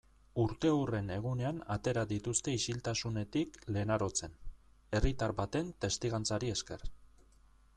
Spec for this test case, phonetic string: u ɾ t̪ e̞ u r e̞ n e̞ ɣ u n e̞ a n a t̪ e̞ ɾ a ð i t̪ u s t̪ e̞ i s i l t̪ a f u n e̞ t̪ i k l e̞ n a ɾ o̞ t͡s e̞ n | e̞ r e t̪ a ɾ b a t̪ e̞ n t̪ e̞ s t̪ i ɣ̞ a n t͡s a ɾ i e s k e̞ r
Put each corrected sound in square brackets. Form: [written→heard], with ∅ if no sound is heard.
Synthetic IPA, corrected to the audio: u ɾ t̪ e̞ u r e̞ n e̞ ɣ u n e̞ a n a t̪ e̞ ɾ a ð i t̪ u s t̪ e̞ i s i l t̪ a [f→s] u n e̞ t̪ i k l e̞ n a ɾ o̞ t͡s e̞ n | e̞ r [e→i] t̪ a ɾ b a t̪ e̞ n t̪ e̞ s t̪ i ɣ̞ a n t͡s a ɾ i e s k e̞ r